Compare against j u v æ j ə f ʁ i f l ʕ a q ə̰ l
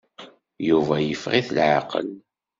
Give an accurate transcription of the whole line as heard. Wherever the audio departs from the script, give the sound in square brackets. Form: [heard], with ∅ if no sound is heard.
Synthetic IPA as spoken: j u v æ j ə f ʁ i [θ] l ʕ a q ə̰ l